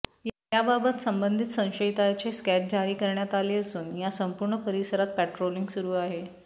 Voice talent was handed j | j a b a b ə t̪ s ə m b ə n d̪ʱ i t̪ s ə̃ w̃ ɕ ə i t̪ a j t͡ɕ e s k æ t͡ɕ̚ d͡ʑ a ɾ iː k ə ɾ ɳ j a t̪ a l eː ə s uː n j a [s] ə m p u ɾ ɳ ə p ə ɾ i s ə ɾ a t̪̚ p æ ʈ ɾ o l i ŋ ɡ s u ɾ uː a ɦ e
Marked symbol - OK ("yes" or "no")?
yes